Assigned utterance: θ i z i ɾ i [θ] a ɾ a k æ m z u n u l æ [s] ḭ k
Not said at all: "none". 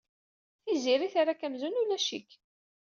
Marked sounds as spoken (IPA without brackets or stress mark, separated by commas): θ, ʃ